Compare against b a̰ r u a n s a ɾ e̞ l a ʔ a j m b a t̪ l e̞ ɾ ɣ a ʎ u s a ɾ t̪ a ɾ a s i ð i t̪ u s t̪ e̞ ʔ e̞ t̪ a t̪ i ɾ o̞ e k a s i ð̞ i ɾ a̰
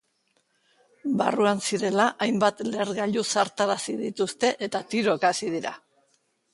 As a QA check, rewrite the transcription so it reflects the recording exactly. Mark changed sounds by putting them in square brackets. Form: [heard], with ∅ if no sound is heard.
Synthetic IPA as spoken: b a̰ r u a n s [i] ɾ e̞ l a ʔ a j m b a t̪ l e̞ ɾ ɣ a ʎ u s a ɾ t̪ a ɾ a s i ð i t̪ u s t̪ e̞ ʔ e̞ t̪ a t̪ i ɾ o̞ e k a s i ð̞ i ɾ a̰